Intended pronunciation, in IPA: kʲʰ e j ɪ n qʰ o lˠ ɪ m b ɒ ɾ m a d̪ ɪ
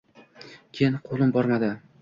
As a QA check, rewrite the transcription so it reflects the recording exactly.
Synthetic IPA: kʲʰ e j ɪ n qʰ o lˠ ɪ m b ɒ ɾ m a d̪ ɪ